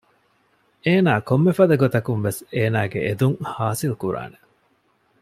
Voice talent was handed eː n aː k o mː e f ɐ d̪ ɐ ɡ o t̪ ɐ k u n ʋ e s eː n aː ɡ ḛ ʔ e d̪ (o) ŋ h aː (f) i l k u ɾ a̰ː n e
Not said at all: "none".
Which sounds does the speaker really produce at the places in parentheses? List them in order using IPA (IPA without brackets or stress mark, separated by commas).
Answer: u, s